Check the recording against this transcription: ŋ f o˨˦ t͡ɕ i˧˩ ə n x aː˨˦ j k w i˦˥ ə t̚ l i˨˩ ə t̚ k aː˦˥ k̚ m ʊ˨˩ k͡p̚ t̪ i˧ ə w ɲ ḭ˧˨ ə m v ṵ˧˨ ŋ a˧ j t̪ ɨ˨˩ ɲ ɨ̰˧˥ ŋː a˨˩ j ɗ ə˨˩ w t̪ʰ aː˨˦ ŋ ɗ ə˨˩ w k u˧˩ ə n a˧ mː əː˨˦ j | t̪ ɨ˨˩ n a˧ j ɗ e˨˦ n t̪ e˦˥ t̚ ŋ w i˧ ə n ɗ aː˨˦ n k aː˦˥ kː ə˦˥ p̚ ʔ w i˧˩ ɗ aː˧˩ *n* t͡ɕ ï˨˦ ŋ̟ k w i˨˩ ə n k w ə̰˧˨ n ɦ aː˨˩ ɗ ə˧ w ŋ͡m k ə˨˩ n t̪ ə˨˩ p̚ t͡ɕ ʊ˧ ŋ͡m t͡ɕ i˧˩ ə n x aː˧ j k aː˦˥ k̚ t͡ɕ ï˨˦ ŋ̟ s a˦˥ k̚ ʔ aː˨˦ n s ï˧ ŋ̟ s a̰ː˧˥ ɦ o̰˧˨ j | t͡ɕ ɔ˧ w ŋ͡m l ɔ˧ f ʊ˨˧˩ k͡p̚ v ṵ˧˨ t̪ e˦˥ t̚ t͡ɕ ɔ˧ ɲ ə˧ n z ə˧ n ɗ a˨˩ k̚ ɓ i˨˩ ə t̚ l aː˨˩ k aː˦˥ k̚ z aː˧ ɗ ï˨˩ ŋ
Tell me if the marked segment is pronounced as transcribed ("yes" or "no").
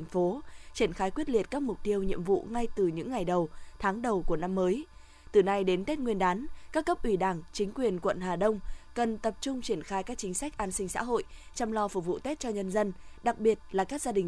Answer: no